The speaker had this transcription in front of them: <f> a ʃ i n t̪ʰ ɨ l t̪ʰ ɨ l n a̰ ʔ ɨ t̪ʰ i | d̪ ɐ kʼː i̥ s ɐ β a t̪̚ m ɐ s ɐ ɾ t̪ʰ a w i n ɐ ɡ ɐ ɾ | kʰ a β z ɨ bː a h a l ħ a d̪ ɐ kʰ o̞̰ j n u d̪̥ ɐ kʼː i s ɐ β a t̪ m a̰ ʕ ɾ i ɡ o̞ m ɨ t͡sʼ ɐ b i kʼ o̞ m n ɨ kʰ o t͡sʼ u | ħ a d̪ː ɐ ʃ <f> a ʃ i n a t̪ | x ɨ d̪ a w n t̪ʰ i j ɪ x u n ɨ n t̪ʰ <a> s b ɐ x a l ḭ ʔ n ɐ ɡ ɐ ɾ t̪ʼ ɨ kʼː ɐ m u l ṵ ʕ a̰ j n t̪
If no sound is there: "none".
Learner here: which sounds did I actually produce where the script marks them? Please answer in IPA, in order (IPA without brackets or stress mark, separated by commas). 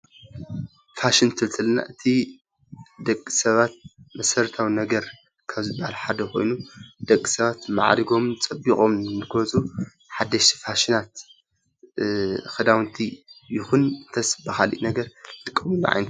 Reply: f, f, ɐ